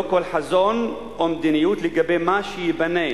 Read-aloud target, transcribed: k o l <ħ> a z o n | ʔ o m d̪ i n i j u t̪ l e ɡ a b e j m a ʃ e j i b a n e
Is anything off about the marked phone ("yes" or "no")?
no